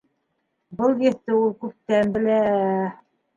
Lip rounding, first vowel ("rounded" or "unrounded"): unrounded